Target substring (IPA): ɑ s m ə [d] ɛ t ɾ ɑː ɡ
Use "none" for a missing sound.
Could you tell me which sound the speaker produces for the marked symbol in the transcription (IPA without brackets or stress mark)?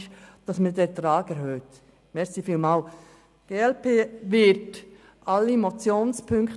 d